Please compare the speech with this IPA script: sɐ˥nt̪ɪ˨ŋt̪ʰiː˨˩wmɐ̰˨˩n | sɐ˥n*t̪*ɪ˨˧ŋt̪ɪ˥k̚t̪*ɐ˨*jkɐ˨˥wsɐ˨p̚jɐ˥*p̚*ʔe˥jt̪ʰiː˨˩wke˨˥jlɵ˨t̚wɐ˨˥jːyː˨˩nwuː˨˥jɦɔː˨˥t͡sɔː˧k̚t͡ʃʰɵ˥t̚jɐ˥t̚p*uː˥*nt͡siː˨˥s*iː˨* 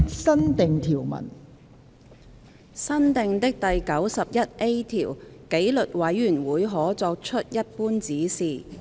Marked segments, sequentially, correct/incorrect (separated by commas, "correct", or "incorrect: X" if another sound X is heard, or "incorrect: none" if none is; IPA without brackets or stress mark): correct, correct, incorrect: t̚, correct, correct